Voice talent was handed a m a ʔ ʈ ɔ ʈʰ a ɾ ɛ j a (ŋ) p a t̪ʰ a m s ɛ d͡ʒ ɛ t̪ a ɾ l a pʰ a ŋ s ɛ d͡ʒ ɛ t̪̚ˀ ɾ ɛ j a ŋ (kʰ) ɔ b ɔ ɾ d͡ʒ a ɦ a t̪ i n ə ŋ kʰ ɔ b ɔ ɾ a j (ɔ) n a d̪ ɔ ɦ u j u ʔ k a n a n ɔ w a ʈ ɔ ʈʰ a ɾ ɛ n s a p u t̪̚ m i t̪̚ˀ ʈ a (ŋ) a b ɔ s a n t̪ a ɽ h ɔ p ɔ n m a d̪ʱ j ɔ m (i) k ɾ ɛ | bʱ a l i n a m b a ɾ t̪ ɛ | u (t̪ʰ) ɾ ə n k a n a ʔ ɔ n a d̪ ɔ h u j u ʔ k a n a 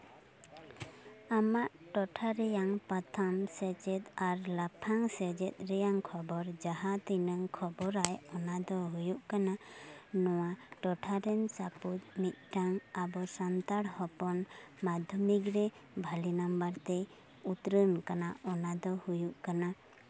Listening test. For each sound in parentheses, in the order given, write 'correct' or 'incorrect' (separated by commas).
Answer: correct, correct, correct, correct, correct, incorrect